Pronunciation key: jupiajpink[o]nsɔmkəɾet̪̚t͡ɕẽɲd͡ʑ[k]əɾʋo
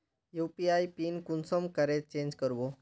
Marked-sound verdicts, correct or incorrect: incorrect, correct

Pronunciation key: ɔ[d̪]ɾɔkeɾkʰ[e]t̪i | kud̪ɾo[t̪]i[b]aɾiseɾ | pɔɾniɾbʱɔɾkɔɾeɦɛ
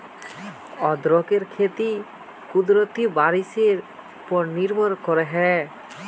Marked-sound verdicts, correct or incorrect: correct, correct, correct, correct

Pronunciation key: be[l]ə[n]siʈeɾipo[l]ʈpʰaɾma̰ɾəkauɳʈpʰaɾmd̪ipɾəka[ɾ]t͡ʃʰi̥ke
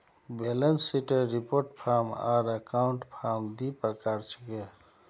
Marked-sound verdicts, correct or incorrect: correct, correct, incorrect, correct

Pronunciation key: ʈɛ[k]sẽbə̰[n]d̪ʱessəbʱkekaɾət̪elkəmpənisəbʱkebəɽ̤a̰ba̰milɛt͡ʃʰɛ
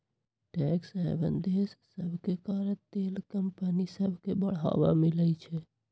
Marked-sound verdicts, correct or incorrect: correct, correct

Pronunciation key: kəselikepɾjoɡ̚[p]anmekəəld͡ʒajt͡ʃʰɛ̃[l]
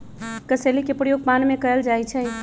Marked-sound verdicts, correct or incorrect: correct, incorrect

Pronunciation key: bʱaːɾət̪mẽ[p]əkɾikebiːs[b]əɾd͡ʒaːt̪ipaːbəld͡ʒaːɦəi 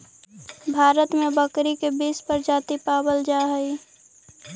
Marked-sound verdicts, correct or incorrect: incorrect, incorrect

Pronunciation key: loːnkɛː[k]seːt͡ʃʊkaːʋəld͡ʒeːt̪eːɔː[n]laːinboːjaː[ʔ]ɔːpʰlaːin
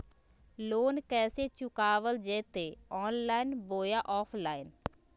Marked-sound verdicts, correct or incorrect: incorrect, correct, correct

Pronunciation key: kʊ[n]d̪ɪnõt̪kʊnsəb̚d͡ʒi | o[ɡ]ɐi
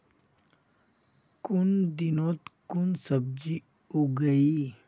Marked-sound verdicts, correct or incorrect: correct, correct

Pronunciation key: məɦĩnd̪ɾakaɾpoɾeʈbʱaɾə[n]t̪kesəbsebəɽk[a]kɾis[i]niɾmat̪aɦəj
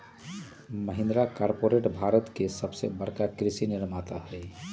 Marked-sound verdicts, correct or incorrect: incorrect, correct, correct

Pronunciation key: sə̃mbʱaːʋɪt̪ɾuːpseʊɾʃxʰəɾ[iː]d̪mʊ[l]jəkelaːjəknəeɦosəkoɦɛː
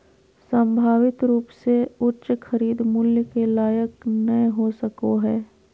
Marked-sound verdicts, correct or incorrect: correct, correct

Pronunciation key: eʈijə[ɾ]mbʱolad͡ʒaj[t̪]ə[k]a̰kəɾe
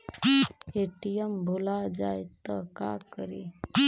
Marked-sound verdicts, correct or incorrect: incorrect, correct, correct

